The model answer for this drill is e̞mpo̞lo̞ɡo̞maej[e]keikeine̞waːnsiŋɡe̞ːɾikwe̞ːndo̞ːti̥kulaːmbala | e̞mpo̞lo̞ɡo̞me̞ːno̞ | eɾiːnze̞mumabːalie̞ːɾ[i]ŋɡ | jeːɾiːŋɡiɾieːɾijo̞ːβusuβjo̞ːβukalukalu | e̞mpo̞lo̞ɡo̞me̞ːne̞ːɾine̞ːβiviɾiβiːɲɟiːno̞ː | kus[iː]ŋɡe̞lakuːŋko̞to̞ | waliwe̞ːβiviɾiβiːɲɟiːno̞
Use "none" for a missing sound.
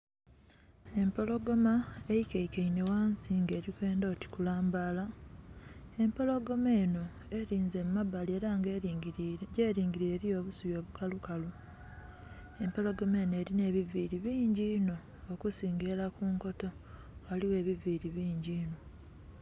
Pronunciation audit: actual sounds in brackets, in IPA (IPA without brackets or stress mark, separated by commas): i, a, iː